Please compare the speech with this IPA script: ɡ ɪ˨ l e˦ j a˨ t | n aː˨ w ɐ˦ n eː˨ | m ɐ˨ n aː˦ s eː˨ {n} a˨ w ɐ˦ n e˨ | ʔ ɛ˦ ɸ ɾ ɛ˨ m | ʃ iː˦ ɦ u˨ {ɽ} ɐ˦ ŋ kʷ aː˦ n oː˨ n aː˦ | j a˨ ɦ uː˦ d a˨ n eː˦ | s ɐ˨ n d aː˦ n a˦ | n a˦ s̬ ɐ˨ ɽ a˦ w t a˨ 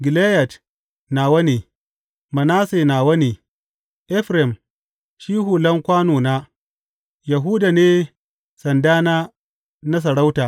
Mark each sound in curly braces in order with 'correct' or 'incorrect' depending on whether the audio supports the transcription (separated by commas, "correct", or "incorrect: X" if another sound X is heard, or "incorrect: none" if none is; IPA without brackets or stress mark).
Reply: correct, incorrect: l